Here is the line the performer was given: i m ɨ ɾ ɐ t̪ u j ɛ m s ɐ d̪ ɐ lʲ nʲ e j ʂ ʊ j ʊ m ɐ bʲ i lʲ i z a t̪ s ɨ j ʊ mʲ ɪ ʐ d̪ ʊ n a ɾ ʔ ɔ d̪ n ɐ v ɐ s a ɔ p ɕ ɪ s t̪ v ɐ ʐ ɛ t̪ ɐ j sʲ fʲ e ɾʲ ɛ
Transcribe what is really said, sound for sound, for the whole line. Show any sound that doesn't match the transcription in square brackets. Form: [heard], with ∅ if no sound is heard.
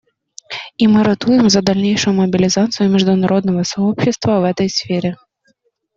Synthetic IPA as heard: i m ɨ ɾ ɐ t̪ u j ɛ m [z] ɐ d̪ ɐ lʲ nʲ e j ʂ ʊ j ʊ m ɐ bʲ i lʲ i z a t̪ s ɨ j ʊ mʲ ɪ ʐ d̪ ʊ n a ɾ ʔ ɔ d̪ n ɐ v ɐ s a ɔ p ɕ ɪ s t̪ v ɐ [v] ɛ t̪ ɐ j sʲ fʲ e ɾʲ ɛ